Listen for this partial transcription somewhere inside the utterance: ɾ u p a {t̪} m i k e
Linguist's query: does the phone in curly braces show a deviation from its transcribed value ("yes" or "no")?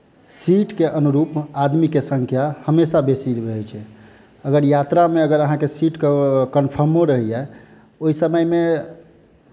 yes